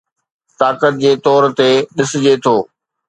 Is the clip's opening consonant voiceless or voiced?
voiceless